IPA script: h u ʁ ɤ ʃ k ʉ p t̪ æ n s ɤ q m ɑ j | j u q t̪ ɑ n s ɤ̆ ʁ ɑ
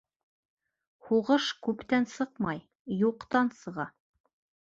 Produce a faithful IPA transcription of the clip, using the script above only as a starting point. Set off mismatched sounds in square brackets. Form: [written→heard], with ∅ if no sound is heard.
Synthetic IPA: h u ʁ ɤ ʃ k ʉ p t̪ æ n s ɤ q m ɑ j | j u q t̪ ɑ n s ɤ̆ ʁ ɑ